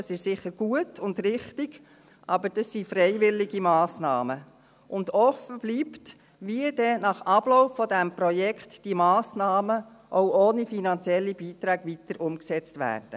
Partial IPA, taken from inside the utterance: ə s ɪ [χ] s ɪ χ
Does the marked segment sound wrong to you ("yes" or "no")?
yes